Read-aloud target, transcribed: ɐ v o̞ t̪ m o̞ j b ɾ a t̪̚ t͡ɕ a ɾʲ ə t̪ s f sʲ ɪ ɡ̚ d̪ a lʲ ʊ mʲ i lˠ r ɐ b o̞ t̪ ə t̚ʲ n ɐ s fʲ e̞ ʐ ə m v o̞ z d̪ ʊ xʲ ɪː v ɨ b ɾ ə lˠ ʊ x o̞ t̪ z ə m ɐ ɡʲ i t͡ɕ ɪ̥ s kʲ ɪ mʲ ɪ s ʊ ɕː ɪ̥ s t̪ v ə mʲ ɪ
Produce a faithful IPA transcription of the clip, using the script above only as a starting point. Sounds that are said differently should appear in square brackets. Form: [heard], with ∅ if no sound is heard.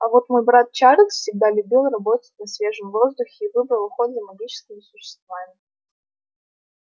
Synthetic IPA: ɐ v o̞ t̪ m o̞ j b ɾ a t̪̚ t͡ɕ a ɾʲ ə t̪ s f sʲ ɪ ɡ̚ d̪ a lʲ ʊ [bʲ] i lˠ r ɐ b o̞ t̪ ə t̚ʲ n ɐ s [vʲ] e̞ ʐ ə m v o̞ z d̪ ʊ xʲ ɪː v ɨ b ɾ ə lˠ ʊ x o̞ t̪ z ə m ɐ ɡʲ i t͡ɕ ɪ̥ s kʲ ɪ mʲ ɪ s ʊ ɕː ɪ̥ s t̪ v [a] mʲ ɪ

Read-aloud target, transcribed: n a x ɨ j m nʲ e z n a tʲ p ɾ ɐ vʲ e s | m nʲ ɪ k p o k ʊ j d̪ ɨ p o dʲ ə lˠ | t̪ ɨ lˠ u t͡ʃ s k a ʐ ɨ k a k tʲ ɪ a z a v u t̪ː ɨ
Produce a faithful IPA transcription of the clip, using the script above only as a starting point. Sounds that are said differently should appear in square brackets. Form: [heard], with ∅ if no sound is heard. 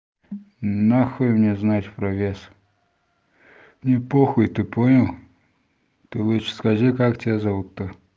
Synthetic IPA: n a x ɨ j m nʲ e z n a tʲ p ɾ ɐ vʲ e s | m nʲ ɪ [∅] p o [x] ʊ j [t̪] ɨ p o [nʲ] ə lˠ | t̪ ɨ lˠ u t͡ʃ s k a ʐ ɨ k a k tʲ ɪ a z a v u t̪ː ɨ

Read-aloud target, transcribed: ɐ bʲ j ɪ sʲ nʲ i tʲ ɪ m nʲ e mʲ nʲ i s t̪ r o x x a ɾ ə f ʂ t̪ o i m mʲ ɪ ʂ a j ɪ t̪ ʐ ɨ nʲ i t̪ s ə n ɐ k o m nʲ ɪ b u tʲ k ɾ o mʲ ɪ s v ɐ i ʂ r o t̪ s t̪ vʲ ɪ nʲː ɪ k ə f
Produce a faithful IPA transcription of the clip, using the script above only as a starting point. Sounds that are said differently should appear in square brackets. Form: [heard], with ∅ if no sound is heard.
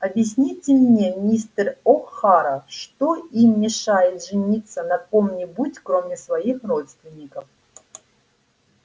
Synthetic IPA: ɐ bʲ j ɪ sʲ nʲ i tʲ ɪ m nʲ e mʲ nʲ i s t̪ r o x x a ɾ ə f ʂ t̪ o i m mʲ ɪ ʂ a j ɪ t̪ ʐ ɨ nʲ i t̪ s ə n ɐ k o m nʲ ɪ b u tʲ k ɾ o mʲ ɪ s v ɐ i [x] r o t̪ s t̪ vʲ ɪ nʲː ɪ k ə f

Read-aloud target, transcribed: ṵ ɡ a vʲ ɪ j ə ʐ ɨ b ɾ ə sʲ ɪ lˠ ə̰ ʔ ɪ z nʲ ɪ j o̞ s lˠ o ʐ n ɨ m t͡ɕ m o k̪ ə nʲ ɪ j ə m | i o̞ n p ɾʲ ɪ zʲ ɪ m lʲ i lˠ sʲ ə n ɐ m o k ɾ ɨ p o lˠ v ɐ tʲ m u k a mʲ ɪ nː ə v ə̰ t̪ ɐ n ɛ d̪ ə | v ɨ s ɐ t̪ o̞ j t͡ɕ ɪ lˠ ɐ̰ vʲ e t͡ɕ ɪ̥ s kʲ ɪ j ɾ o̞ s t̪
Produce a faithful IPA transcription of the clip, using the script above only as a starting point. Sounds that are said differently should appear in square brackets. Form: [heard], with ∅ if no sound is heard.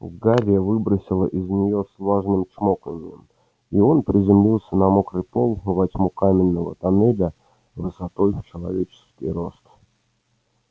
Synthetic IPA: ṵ ɡ a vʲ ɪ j ə [v] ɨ b ɾ ə sʲ ɪ lˠ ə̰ ʔ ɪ z nʲ ɪ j o̞ s lˠ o ʐ n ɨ m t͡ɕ m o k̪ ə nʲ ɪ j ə m | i o̞ n p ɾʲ ɪ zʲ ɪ m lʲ i lˠ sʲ ə n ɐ m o k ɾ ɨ p o lˠ v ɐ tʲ m u k a mʲ ɪ nː ə v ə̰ t̪ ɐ n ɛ d̪ ə | v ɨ s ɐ t̪ o̞ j t͡ɕ ɪ lˠ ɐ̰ vʲ e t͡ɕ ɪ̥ s kʲ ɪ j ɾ o̞ s t̪

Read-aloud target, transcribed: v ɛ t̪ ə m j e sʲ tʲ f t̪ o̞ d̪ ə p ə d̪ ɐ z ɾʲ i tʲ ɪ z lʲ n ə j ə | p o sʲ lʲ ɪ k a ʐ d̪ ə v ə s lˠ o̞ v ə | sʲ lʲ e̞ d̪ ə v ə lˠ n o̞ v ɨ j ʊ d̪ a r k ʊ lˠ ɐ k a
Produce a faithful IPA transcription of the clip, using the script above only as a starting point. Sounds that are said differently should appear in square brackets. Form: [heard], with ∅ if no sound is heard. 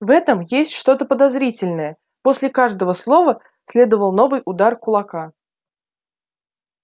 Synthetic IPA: v ɛ t̪ ə m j e sʲ tʲ [ʂ] t̪ o̞ [t̪] ə p ə d̪ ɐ z ɾʲ i tʲ ɪ [∅] lʲ n ə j ə | p o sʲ lʲ ɪ k a ʐ d̪ ə v ə s lˠ o̞ v ə | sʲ lʲ e̞ d̪ ə v ə lˠ n o̞ v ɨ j ʊ d̪ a r k ʊ lˠ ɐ k a

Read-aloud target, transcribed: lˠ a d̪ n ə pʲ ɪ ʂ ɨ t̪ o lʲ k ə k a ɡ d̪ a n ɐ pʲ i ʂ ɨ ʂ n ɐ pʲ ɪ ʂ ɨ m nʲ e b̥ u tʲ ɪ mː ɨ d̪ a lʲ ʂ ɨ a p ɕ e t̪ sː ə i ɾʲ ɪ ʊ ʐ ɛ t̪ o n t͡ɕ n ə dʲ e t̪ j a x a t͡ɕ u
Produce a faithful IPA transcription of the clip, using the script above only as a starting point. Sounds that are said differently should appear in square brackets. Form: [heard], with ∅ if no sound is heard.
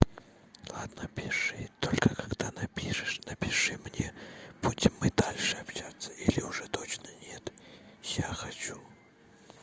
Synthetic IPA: lˠ a d̪ n ə pʲ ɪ ʂ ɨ t̪ o lʲ k ə k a ɡ d̪ a n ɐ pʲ i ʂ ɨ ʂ n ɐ pʲ ɪ ʂ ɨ m nʲ e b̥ u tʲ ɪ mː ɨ d̪ a lʲ ʂ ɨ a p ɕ [a] t̪ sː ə i [lʲ] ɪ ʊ ʐ ɛ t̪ o [∅] t͡ɕ n ə [nʲ] e t̪ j a x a t͡ɕ u

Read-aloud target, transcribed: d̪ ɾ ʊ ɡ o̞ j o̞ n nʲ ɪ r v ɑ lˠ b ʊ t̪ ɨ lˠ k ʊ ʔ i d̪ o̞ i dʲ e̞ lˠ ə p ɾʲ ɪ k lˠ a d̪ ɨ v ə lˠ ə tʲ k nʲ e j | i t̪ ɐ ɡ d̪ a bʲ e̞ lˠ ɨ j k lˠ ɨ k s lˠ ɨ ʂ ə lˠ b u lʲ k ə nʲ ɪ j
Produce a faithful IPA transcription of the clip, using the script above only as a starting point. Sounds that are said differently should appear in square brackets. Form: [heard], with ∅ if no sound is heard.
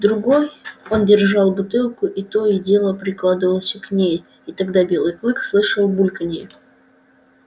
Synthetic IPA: d̪ ɾ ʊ ɡ o̞ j o̞ n [dʲ] ɪ r [ʐ] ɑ lˠ b ʊ t̪ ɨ lˠ k ʊ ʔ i [t̪] o̞ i dʲ e̞ lˠ ə p ɾʲ ɪ k lˠ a d̪ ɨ v ə lˠ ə [sʲ] k nʲ e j | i t̪ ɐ ɡ d̪ a bʲ e̞ lˠ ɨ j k lˠ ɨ k s lˠ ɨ ʂ ə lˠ b u lʲ k ə nʲ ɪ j

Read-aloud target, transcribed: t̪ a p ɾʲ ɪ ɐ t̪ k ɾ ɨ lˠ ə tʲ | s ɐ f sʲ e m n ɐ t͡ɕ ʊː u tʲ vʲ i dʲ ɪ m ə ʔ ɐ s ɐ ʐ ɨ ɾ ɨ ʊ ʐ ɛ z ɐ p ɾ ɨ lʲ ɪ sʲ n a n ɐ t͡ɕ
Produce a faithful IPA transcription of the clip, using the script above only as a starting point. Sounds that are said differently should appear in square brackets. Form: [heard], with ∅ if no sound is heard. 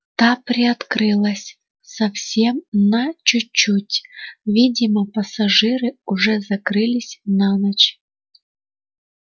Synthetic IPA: t̪ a p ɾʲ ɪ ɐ t̪ k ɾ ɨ lˠ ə [sʲ] | s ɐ f sʲ e m n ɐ t͡ɕ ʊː u tʲ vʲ i dʲ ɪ m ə [p] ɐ s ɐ ʐ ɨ ɾ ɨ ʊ ʐ ɛ z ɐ [k] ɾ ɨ lʲ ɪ sʲ n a n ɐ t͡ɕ

